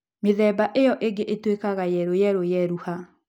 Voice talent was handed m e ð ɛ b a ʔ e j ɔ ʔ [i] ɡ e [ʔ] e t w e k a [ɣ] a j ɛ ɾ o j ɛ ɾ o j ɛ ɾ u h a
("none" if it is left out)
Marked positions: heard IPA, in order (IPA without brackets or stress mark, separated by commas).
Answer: e, ʔ, ɣ